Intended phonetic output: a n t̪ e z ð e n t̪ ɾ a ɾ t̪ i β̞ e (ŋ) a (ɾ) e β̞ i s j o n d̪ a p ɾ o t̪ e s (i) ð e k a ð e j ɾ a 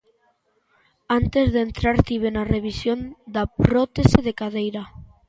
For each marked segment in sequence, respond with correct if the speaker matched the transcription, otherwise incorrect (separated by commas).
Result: incorrect, incorrect, incorrect